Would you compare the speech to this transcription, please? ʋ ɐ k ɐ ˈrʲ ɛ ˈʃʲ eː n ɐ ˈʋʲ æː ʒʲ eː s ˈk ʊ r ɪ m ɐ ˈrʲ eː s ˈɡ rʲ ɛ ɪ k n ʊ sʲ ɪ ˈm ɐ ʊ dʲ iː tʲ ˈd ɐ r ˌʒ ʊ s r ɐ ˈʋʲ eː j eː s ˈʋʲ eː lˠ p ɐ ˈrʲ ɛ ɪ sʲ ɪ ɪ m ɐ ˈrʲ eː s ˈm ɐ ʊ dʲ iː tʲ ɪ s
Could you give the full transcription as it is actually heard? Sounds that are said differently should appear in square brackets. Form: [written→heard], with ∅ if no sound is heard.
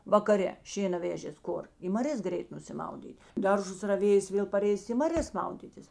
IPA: ʋ ɐ k ɐ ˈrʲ ɛ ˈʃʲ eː n ɐ ˈʋʲ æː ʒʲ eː s ˈk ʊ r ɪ m ɐ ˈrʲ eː s ˈɡ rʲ ɛ ɪ [k→t] n ʊ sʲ ɪ ˈm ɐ ʊ dʲ iː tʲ ˈd ɐ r ˌʒ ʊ s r ɐ ˈʋʲ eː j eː s ˈʋʲ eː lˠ p ɐ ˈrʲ ɛ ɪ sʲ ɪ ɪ m ɐ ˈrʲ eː s ˈm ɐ ʊ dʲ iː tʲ ɪ s